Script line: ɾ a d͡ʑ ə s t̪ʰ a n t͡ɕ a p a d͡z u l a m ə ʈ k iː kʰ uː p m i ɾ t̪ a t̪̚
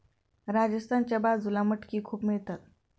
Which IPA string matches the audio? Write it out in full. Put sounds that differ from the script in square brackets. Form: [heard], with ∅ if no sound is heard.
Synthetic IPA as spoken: ɾ a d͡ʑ ə s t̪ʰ a n t͡ɕ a [b] a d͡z u l a m ə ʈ k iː kʰ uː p m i [ɭ] t̪ a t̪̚

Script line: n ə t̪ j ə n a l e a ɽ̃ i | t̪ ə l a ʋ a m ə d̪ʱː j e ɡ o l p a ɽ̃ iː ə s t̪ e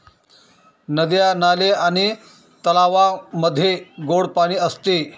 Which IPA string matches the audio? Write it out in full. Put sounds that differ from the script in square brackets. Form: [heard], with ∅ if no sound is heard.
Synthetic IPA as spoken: n ə [d̪] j [a] n a l e a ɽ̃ i | t̪ ə l a ʋ a m ə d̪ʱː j e ɡ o [ɽ] p a ɽ̃ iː ə s t̪ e

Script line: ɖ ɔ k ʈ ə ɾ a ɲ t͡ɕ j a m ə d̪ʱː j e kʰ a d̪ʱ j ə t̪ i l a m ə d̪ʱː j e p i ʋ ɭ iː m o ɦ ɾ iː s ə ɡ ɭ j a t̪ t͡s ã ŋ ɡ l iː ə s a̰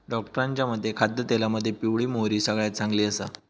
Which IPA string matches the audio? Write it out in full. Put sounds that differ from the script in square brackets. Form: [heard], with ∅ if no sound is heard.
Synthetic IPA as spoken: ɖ ɔ k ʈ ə ɾ a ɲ t͡ɕ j a m ə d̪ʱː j e kʰ a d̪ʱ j ə t̪ [e] l a m ə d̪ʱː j e p i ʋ ɭ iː m o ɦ ɾ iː s ə ɡ ɭ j a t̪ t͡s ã ŋ ɡ l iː ə s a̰

